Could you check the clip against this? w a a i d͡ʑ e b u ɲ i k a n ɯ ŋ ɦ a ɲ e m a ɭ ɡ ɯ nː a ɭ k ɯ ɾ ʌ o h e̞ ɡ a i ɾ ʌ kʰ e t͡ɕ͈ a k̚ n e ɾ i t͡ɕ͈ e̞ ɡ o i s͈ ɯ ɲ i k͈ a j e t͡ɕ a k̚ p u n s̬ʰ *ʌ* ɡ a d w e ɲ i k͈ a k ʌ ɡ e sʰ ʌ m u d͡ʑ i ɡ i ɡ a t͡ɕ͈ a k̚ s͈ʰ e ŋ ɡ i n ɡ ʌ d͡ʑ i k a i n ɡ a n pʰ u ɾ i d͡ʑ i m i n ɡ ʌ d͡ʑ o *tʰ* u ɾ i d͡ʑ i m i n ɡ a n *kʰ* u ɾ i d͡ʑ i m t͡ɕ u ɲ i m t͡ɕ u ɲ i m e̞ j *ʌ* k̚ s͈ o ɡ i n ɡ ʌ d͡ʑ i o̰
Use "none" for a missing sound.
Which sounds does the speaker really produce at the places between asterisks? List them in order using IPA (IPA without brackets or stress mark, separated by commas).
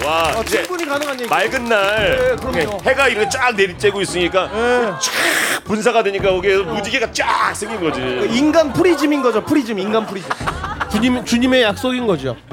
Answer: a, pʰ, pʰ, a